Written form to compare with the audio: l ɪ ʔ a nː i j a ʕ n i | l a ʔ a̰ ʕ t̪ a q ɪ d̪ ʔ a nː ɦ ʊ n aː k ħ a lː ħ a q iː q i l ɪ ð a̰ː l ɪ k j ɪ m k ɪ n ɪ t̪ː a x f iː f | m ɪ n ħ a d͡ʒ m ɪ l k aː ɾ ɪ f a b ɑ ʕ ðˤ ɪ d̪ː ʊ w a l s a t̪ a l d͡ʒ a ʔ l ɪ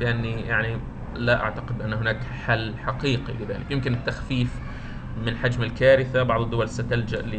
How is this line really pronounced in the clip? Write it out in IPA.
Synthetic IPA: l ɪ ʔ a nː i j a ʕ n i | l a ʔ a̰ ʕ t̪ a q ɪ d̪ ʔ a nː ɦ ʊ n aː k ħ a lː ħ a q iː q i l ɪ ð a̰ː l ɪ k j ɪ m k ɪ n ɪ t̪ː a x f iː f | m ɪ n ħ a d͡ʒ m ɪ l k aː ɾ ɪ θ a b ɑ ʕ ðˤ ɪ d̪ː ʊ w a l s a t̪ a l d͡ʒ a ʔ l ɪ